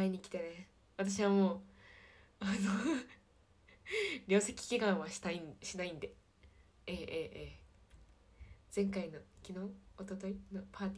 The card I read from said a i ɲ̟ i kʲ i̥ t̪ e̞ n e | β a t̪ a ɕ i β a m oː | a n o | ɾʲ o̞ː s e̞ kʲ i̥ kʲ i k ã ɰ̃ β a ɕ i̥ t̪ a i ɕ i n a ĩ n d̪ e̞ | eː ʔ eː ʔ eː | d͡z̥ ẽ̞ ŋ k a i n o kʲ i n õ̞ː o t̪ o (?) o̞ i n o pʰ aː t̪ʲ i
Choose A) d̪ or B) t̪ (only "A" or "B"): B